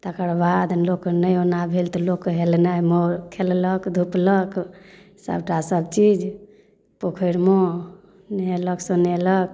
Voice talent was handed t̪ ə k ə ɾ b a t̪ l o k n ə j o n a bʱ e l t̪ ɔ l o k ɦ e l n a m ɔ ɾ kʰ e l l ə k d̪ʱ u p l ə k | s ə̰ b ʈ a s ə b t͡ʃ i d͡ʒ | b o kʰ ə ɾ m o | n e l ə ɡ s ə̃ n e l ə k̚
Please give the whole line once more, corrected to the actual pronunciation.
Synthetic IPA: t̪ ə k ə ɾ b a d̪ l o k n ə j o n a bʱ e l t̪ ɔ l o k ɦ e l n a m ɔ ɾ kʰ e l l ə k d̪ʱ u p l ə k | s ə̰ b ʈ a s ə b t͡ʃ i d͡ʒ | p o kʰ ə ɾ m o | n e l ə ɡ s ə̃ n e l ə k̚